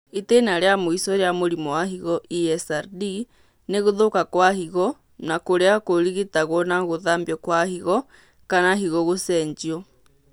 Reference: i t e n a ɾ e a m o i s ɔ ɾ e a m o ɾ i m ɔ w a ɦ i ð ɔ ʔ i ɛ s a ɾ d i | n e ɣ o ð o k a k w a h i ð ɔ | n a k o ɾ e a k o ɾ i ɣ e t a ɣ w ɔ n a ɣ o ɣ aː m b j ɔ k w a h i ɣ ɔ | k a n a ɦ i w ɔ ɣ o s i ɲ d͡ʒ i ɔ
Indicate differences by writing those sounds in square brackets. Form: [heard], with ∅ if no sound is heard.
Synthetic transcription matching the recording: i t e n a ɾ e a m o i s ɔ ɾ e a m o ɾ i m ɔ w a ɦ i [ɣ] ɔ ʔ i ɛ s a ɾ d i | n e ɣ o ð o k a k w a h i [ɣ] ɔ | n a k o ɾ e a k o ɾ i ɣ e t a ɣ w ɔ n a ɣ o [ð] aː m b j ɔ k w a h i ɣ ɔ | k a n a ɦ i [ɣ] ɔ ɣ o s [ɛ] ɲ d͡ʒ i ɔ